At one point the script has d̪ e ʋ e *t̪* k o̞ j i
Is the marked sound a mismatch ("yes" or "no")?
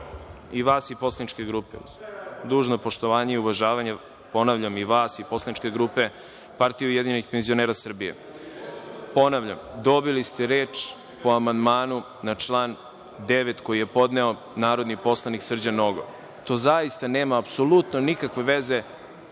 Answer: no